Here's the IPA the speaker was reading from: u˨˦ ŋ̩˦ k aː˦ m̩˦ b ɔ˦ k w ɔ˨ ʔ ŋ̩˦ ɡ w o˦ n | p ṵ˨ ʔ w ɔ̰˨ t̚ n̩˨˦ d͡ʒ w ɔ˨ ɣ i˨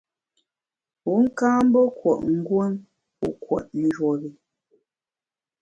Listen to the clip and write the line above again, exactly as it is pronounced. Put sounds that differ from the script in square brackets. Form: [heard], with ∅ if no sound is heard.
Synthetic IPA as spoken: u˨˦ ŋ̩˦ k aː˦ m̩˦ b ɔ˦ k w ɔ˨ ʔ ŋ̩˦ ɡ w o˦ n | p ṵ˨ [k] w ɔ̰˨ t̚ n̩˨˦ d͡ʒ w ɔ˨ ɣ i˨